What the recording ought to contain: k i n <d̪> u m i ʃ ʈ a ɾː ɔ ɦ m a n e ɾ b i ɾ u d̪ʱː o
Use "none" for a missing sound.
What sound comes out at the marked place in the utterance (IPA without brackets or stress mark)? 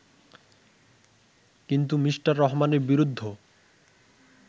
t̪